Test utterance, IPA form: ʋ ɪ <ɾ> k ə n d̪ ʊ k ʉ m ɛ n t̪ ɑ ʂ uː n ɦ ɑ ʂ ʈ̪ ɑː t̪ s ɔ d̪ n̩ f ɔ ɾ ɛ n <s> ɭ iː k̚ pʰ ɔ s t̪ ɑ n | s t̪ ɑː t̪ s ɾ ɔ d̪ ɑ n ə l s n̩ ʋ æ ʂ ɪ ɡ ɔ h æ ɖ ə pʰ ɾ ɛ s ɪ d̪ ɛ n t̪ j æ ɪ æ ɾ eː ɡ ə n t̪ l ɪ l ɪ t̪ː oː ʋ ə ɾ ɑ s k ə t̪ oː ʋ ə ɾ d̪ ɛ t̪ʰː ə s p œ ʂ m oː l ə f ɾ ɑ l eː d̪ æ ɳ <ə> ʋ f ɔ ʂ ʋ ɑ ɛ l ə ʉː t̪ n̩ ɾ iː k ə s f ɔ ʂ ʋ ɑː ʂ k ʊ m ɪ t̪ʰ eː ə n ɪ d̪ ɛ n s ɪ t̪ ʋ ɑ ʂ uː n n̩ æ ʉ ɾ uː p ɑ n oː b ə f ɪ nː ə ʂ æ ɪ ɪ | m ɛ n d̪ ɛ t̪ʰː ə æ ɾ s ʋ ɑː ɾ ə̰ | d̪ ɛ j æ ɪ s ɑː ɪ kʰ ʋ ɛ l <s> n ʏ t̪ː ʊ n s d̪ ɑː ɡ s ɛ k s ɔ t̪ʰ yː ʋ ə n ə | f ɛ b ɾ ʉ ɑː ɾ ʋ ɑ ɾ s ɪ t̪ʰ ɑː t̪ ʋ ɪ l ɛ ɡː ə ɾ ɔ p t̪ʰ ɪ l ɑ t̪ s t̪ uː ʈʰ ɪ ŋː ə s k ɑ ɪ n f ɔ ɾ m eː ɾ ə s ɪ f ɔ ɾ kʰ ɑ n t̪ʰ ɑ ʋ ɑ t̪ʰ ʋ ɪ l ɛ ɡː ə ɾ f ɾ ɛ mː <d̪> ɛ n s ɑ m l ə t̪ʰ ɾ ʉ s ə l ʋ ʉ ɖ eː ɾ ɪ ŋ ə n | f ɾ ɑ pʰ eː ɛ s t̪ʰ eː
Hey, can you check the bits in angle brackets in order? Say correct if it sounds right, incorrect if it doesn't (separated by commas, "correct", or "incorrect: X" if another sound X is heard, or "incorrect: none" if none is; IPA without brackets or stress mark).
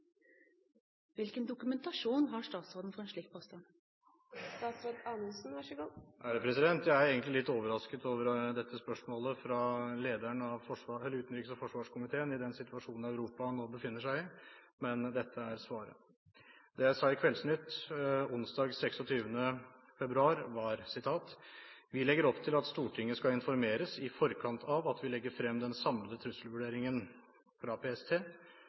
incorrect: l, incorrect: ʂ, incorrect: ɑ, correct, correct